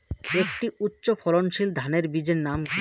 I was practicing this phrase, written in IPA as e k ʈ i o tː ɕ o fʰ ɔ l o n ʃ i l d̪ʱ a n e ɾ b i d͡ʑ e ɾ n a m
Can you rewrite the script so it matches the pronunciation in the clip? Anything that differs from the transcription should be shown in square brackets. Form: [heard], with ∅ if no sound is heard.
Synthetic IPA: e k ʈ i [u] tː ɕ o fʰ ɔ l o n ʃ i l d̪ʱ a n e ɾ b i d͡ʑ e ɾ n a m

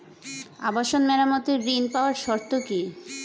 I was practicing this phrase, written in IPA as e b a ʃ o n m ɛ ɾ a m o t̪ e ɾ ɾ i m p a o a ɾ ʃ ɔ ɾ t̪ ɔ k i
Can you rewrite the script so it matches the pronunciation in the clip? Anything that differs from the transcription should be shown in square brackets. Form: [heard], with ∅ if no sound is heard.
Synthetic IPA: [a] b a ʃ o n m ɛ ɾ a m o t̪ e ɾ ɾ i [n] p a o a ɾ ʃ ɔ ɾ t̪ [o] k i

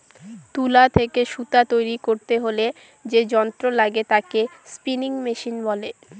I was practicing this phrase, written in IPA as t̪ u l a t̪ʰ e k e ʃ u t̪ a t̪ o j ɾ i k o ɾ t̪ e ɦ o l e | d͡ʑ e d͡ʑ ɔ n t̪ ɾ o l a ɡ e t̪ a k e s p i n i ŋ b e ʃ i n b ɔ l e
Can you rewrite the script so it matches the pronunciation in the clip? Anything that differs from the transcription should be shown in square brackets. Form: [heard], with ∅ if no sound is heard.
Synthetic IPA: t̪ u l a t̪ʰ e k e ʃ u t̪ a t̪ o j ɾ i k o ɾ t̪ e ɦ o l e | d͡ʑ e d͡ʑ ɔ n t̪ ɾ o l a ɡ e t̪ a k e s p i n i ŋ [m] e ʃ i n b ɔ l e

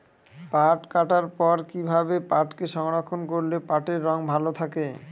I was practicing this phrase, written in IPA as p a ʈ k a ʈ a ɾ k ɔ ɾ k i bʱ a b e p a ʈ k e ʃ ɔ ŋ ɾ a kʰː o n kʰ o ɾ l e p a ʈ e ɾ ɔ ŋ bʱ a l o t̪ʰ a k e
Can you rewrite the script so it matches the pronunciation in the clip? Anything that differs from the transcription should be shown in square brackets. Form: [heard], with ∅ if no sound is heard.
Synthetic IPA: p a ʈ k a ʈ a ɾ [p] ɔ ɾ k i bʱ a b e p a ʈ k e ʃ ɔ ŋ ɾ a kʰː o n [k] o ɾ l e p a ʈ e [ɾː] ɔ ŋ bʱ a l o t̪ʰ a k e

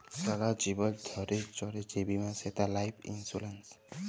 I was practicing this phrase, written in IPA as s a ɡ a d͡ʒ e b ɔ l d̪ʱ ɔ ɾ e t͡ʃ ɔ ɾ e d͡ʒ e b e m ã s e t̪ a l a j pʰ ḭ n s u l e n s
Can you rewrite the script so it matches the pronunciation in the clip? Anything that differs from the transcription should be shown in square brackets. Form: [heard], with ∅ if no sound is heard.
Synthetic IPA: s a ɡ a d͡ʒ [i] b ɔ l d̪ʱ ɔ ɾ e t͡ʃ ɔ ɾ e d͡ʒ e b [i] m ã s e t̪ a l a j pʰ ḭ n s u l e n s

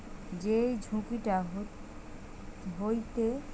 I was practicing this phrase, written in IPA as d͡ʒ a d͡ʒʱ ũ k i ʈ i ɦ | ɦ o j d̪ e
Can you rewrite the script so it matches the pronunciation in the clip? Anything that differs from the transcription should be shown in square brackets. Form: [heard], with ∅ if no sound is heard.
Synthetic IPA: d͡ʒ [e] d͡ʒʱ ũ k i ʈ [a] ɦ | ɦ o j [t̪] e

